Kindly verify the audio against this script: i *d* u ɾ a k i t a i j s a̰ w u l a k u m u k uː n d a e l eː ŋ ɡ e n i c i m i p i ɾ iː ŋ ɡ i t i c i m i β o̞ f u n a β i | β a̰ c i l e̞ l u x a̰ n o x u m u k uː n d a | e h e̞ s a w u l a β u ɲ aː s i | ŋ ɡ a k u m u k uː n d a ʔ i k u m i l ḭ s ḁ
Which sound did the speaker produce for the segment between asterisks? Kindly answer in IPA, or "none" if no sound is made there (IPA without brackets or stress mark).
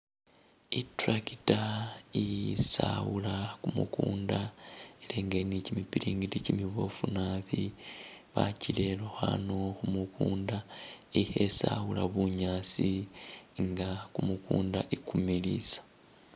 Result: t